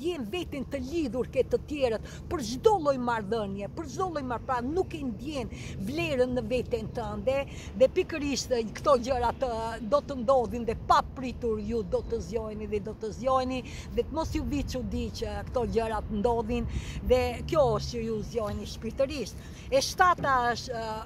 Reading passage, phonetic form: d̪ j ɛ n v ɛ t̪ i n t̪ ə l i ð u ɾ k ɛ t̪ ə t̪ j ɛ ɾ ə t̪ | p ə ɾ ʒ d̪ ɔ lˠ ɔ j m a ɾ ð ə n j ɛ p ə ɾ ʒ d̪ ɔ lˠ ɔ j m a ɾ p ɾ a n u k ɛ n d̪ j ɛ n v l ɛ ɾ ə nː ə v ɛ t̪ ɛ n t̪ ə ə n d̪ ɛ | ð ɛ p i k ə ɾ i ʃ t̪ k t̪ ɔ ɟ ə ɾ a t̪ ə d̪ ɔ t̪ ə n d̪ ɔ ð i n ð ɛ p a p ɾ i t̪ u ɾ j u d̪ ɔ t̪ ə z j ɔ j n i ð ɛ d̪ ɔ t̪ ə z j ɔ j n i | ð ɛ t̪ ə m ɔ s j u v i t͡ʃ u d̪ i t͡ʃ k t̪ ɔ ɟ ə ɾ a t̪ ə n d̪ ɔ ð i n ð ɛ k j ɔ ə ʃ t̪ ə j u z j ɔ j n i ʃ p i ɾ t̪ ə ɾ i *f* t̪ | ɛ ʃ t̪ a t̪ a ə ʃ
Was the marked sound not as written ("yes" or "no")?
yes